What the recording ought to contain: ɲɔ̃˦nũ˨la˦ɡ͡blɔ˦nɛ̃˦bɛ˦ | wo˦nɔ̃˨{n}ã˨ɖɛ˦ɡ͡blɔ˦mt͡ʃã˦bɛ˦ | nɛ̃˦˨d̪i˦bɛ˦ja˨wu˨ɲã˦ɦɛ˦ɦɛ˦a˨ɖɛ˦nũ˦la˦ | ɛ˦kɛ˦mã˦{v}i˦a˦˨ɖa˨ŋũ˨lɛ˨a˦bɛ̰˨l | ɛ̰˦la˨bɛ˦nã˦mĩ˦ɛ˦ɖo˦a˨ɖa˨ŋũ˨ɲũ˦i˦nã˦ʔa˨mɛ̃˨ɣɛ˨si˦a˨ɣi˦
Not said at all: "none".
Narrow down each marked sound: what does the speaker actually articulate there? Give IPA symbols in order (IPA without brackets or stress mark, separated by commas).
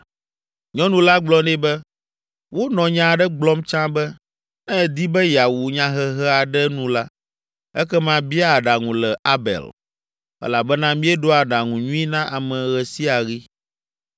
ɲ, b